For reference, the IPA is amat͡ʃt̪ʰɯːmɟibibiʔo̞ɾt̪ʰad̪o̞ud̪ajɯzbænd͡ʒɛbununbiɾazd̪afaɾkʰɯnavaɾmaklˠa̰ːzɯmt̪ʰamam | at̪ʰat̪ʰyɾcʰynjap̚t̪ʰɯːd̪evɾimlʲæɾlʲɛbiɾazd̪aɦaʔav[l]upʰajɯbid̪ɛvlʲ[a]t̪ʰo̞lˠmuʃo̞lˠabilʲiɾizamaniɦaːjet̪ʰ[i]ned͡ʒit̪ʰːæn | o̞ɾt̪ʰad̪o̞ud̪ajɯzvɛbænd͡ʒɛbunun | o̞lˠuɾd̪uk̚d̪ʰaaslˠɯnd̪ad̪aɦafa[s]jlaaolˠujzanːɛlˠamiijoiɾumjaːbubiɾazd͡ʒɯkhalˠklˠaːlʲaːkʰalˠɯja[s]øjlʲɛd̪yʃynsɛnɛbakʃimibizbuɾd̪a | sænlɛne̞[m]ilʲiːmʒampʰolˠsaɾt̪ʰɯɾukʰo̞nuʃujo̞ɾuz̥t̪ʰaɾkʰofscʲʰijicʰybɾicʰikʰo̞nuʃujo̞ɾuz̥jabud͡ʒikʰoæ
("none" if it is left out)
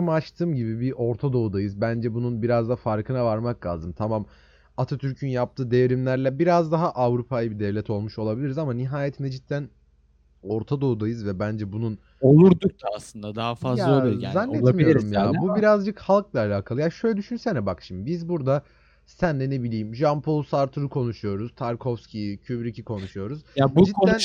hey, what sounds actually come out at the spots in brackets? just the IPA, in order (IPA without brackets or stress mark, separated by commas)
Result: ɾ, ɛ, i, z, ʃ, b